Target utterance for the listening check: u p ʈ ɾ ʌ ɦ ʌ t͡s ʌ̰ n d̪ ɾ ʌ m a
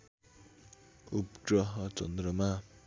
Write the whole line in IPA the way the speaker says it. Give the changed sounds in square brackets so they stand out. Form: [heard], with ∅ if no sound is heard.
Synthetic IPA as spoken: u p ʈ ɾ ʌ ɦ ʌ t͡s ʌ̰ n d̪ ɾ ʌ m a